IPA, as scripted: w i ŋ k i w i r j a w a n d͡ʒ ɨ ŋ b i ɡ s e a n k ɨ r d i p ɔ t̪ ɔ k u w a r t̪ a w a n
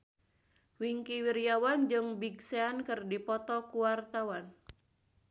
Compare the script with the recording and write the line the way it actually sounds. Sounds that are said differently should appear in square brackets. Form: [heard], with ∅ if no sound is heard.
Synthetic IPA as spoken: w i ŋ k i w i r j a w a n d͡ʒ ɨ ŋ b i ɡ s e a n k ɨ r d i p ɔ t̪ ɔ k u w a r t̪ a w a n